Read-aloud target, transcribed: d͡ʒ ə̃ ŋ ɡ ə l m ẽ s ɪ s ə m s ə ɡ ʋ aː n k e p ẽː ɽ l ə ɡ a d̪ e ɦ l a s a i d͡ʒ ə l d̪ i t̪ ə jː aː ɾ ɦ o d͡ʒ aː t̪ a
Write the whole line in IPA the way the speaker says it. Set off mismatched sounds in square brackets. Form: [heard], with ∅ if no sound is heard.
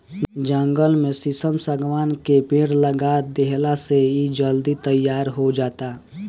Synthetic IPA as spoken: d͡ʒ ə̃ ŋ ɡ ə l m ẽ s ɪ s ə m s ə ɡ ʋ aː n k e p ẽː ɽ l ə ɡ a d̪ e ɦ l a s [e] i d͡ʒ ə l d̪ i t̪ ə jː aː ɾ ɦ o d͡ʒ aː t̪ a